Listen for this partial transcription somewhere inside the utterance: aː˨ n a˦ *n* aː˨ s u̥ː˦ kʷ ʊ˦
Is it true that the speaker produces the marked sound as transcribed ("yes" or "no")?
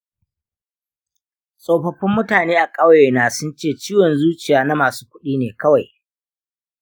no